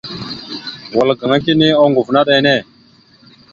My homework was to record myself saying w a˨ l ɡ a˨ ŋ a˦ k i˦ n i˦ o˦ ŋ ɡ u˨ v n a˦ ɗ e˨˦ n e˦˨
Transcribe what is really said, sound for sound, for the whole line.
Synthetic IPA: w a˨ l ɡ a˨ ŋ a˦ k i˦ n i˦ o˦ ŋ ɡ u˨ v n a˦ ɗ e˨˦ n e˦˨